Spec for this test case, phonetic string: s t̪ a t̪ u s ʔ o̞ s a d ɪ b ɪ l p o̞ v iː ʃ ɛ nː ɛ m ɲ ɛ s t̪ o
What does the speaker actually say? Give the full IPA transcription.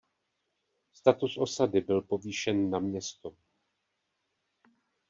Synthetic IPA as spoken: s t̪ a t̪ u s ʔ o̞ s a d ɪ b ɪ l p o̞ v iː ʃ ɛ nː a m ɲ ɛ s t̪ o